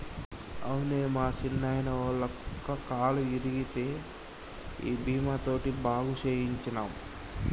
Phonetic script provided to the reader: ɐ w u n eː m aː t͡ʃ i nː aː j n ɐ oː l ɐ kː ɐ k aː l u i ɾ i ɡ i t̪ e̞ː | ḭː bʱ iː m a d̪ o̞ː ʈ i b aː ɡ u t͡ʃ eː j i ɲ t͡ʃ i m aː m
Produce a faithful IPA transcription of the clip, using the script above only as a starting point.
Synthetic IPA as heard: ɐ w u n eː m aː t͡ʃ i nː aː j n ɐ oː l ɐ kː ɐ k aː l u i ɾ i ɡ i t̪ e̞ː | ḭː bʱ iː m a t̪ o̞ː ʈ i b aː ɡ u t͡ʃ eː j i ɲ t͡ʃ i n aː m